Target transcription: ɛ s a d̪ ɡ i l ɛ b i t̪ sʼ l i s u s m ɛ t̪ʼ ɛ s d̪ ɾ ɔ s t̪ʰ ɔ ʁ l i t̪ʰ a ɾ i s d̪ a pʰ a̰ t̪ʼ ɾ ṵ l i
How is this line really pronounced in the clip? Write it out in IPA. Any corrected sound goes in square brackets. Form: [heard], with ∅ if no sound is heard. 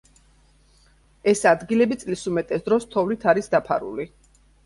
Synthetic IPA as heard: ɛ s a d̪ ɡ i l ɛ b i t̪ sʼ l i s u [∅] m ɛ t̪ʼ ɛ s d̪ ɾ ɔ s t̪ʰ ɔ [v] l i t̪ʰ a ɾ i s d̪ a pʰ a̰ [∅] ɾ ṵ l i